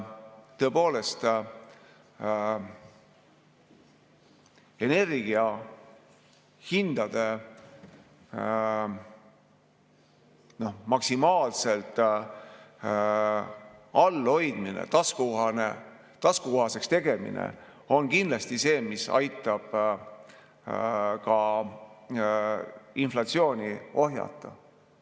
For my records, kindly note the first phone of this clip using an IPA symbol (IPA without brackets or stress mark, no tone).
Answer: t̪